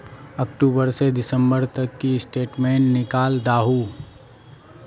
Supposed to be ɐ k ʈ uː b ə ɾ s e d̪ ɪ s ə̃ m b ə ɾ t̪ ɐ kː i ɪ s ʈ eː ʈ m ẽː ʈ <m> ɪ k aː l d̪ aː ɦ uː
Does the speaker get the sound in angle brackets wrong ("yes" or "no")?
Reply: yes